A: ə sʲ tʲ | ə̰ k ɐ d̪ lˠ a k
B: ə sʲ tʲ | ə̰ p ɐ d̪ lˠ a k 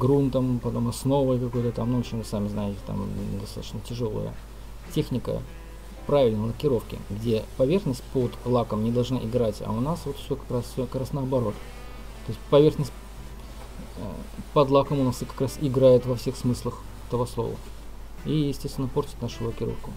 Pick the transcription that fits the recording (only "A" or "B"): B